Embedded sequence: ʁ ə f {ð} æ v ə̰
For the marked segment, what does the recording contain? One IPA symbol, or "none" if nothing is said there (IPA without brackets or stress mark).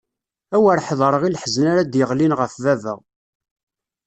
v